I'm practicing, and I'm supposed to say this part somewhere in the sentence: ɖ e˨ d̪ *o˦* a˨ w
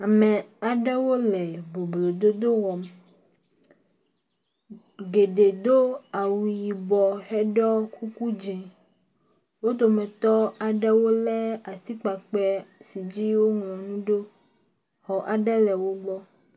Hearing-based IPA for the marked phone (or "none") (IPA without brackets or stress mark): o˦